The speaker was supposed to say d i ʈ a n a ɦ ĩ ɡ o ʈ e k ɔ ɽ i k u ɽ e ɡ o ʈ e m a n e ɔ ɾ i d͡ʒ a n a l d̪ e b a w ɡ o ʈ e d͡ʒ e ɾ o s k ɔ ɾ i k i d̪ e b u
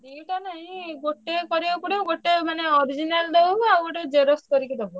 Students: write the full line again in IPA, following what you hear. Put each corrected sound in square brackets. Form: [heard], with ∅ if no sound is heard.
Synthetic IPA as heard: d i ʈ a n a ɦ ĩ ɡ o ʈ e k ɔ [ɾ] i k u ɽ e ɡ o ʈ e m a n e ɔ ɾ i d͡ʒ [i] n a l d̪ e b a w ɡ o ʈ e d͡ʒ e ɾ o s k ɔ ɾ i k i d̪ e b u

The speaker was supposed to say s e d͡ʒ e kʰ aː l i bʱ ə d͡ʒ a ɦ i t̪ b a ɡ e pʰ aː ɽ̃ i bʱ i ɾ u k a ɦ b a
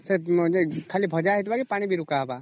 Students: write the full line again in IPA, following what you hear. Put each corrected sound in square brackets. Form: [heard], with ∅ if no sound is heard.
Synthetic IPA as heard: s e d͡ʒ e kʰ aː l i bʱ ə d͡ʒ a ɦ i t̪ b a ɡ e [p] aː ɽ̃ i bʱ i ɾ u k a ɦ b a

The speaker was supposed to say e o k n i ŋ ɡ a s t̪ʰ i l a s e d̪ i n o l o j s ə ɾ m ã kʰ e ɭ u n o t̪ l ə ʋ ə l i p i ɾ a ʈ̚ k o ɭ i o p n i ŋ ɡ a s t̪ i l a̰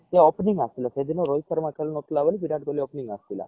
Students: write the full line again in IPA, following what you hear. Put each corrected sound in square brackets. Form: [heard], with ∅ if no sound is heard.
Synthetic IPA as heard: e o [p] n i ŋ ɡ a s [t̪] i l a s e d̪ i n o [ɾ] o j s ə ɾ m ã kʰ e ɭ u n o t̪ l [a] ʋ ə l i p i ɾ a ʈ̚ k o [l] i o p n i ŋ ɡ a s t̪ i l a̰

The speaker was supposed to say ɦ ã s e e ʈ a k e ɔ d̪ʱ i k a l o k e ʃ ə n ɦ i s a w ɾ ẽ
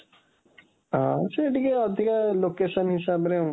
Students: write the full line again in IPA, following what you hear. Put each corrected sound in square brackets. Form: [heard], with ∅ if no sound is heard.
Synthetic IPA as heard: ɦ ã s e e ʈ [i] k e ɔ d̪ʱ i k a l o k e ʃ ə n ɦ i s a [b] ɾ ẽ

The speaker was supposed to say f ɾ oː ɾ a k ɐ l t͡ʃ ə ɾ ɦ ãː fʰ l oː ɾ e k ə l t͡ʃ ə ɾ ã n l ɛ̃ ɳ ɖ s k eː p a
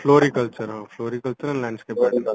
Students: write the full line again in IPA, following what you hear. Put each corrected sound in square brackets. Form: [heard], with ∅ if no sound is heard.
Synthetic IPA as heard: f [l] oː ɾ [i] k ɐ l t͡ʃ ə ɾ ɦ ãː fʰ l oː ɾ [i] k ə l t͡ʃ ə ɾ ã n l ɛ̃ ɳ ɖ s k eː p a

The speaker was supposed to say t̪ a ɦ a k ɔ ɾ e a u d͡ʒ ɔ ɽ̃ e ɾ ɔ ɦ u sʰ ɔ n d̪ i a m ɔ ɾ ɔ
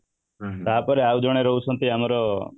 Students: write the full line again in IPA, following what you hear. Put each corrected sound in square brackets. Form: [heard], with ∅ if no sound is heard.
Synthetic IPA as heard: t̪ a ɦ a [p] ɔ ɾ e a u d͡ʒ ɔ ɽ̃ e ɾ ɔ ɦ u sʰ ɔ n [t̪] i a m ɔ ɾ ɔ

